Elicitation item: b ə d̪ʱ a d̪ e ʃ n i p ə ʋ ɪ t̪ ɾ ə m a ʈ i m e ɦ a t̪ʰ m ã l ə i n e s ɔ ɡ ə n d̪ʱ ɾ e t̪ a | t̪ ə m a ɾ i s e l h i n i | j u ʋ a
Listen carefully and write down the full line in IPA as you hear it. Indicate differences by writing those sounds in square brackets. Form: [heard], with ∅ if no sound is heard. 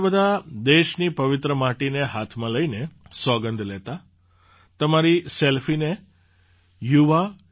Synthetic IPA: b ə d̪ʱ a d̪ e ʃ n i p ə ʋ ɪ t̪ ɾ ə m a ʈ i [n] e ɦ a t̪ʰ m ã l ə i n e s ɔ ɡ ə n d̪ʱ [l] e t̪ a | t̪ ə m a ɾ i s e l [f] i n [e] | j u ʋ a